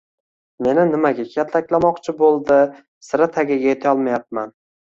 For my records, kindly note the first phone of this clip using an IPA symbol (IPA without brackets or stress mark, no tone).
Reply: m